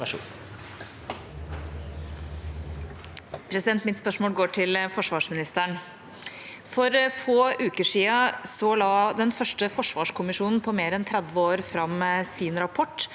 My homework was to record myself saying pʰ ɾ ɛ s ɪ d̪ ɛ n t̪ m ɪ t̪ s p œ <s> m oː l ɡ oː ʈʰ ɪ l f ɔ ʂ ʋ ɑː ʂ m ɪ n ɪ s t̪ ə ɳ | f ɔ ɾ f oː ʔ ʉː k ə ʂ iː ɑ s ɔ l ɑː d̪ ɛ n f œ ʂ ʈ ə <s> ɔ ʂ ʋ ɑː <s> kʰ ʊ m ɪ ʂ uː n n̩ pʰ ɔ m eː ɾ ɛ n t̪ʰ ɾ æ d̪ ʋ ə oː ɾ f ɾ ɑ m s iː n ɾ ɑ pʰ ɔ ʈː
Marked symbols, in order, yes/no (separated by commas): no, no, no